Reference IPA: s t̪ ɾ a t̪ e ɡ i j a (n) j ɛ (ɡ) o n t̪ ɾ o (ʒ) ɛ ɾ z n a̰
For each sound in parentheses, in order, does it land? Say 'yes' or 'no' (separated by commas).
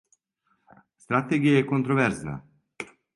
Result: no, no, no